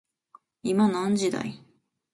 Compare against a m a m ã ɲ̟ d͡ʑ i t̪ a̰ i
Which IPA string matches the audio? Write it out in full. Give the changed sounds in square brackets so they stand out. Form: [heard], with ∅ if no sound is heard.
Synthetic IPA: [i] m a [n] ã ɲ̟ d͡ʑ i [d̪] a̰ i